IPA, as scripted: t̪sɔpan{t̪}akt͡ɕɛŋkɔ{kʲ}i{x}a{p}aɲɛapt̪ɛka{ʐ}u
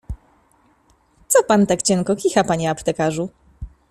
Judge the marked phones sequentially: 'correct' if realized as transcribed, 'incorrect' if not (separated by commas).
correct, correct, correct, correct, correct